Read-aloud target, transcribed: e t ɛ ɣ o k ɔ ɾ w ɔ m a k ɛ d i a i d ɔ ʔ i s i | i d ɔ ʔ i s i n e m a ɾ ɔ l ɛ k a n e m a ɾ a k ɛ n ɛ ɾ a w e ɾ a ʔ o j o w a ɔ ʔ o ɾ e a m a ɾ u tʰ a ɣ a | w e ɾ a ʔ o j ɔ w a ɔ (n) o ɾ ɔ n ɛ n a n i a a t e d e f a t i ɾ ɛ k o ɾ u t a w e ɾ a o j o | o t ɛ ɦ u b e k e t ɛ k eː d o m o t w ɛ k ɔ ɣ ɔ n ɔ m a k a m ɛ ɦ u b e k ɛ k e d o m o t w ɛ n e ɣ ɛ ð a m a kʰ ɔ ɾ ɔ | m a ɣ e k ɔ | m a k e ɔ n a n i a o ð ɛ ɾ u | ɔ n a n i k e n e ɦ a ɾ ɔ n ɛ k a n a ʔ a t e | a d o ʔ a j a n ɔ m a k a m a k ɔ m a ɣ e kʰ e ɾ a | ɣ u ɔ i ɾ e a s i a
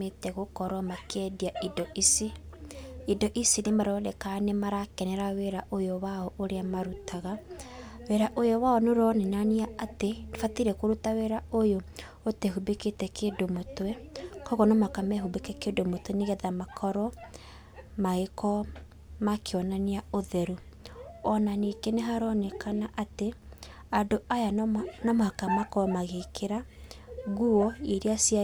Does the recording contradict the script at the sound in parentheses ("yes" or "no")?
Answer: no